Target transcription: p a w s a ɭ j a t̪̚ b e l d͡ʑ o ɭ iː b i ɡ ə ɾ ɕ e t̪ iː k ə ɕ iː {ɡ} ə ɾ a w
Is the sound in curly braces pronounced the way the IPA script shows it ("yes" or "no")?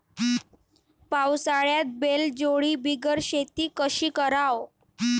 no